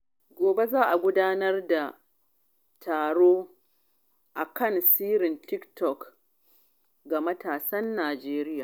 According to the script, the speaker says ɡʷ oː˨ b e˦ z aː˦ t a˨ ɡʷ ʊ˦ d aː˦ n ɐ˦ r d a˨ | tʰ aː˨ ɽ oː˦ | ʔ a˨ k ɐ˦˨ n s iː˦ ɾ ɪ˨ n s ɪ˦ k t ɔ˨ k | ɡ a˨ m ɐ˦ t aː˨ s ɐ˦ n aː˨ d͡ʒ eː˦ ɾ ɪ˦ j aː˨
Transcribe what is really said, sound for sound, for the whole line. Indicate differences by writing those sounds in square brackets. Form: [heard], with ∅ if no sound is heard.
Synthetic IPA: ɡʷ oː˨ b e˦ z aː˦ [ʔ] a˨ ɡʷ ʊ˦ d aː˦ n ɐ˦ r d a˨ | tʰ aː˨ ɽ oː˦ | ʔ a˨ k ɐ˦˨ n s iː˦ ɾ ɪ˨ n [t] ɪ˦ k t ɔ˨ k | ɡ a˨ m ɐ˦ t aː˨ s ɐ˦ [nː] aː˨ d͡ʒ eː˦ ɾ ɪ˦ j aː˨